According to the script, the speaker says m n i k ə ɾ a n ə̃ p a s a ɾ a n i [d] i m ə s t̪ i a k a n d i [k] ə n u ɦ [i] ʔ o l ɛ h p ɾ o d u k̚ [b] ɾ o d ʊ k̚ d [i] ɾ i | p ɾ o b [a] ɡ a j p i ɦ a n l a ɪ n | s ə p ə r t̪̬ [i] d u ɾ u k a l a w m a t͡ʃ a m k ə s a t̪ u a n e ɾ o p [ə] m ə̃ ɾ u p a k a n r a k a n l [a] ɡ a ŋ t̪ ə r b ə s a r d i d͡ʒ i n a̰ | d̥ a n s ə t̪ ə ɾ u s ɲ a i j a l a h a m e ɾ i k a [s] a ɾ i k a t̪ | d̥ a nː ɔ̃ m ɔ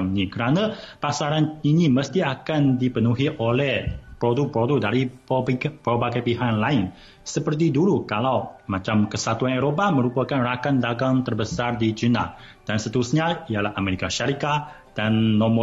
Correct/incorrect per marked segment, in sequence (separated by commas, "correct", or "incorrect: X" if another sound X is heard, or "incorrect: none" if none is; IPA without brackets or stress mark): incorrect: n, incorrect: p, correct, incorrect: p, incorrect: a, correct, correct, incorrect: a, correct, incorrect: ʃ